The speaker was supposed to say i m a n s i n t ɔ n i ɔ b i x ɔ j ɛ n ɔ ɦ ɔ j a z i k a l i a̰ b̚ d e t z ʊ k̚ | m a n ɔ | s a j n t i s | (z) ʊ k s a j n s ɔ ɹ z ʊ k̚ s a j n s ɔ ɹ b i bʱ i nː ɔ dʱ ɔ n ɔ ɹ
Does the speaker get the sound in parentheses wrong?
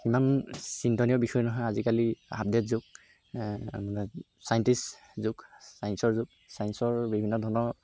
no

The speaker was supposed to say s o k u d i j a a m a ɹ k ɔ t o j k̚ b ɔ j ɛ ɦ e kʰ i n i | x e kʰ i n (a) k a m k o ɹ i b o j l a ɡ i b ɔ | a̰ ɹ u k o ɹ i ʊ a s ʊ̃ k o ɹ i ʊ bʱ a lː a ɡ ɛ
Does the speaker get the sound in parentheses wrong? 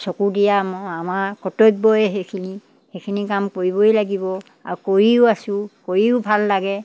yes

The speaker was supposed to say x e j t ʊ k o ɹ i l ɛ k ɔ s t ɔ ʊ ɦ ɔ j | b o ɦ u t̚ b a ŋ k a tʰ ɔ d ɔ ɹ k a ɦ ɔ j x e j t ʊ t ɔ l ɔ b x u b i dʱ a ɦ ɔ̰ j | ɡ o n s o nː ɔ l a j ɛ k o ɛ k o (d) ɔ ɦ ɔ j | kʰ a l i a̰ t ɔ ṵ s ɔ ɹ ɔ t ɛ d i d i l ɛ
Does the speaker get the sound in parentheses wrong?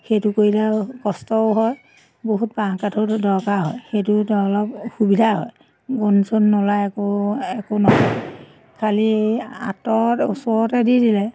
yes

